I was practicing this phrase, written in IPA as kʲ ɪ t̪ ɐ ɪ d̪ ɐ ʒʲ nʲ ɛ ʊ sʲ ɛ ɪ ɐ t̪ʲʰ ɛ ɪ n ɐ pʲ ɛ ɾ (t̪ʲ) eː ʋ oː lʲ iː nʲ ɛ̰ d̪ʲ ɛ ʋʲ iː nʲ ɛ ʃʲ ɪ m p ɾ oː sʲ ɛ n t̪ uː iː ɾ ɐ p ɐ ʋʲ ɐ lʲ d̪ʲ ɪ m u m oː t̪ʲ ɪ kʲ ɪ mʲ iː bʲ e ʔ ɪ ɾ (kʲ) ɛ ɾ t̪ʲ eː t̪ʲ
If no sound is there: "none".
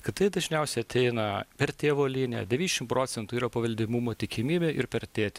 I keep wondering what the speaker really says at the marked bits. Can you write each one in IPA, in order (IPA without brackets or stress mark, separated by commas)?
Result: t̪ʲ, pʲ